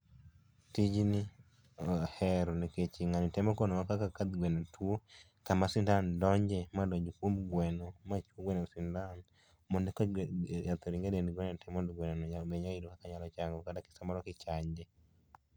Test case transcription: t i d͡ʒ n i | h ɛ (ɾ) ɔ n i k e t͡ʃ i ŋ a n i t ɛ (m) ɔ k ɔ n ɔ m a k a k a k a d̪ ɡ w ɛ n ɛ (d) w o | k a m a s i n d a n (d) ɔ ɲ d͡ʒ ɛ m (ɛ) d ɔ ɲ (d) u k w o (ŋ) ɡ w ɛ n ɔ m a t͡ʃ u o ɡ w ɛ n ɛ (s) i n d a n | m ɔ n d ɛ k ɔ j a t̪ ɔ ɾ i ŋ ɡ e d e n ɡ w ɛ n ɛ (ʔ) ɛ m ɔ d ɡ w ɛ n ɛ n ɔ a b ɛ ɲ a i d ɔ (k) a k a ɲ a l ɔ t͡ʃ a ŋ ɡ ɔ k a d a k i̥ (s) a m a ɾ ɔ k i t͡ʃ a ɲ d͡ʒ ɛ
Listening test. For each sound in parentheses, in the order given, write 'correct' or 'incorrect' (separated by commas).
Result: correct, correct, incorrect, correct, incorrect, incorrect, incorrect, correct, incorrect, correct, correct